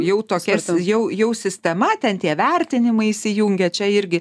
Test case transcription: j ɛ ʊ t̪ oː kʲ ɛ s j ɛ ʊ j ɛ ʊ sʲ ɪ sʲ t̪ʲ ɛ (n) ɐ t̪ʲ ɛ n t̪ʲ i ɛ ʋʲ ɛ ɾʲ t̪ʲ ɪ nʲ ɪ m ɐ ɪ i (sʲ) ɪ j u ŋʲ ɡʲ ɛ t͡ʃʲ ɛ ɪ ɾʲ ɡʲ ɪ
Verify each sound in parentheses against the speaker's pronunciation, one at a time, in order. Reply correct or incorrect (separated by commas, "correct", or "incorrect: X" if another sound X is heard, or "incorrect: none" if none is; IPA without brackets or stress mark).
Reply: incorrect: m, correct